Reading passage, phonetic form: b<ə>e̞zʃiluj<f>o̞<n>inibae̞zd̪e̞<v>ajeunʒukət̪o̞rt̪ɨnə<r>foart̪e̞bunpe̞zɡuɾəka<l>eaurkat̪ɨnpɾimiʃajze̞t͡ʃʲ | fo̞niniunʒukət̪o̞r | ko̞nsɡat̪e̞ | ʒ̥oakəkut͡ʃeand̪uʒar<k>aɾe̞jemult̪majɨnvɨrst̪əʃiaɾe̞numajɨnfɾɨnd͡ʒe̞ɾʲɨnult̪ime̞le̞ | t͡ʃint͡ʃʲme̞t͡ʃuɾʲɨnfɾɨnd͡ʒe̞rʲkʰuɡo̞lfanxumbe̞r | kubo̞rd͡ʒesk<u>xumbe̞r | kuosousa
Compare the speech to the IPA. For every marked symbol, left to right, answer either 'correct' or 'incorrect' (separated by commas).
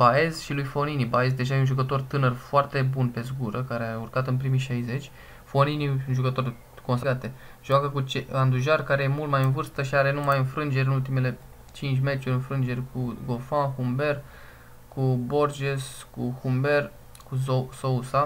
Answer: incorrect, correct, correct, incorrect, correct, incorrect, correct, correct